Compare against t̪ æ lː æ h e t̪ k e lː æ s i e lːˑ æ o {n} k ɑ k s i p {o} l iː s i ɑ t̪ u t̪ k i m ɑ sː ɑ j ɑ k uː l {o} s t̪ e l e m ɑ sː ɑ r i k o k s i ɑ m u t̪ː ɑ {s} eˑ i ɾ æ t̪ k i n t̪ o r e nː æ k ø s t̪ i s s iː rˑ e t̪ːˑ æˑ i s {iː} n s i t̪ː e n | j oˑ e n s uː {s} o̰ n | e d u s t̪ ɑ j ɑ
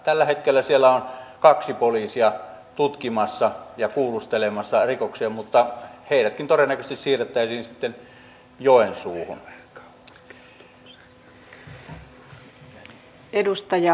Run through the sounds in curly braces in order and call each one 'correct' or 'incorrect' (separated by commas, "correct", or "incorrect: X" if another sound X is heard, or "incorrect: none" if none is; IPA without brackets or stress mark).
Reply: correct, correct, incorrect: u, incorrect: h, correct, incorrect: h